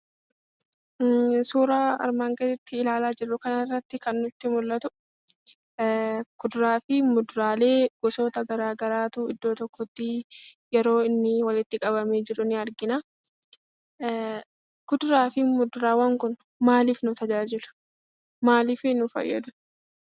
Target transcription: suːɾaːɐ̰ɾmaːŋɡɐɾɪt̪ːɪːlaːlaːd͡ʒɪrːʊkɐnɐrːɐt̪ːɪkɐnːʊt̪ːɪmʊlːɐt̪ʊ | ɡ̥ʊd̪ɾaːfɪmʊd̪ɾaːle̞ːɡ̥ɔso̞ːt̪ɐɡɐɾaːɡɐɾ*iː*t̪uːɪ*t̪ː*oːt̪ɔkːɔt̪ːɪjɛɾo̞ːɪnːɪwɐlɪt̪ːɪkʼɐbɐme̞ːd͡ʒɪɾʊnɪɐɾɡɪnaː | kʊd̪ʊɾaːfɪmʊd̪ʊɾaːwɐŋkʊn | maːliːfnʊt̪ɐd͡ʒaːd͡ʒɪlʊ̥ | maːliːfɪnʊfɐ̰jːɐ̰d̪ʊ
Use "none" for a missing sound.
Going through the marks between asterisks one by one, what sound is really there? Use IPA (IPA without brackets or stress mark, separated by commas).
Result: aː, d̪ː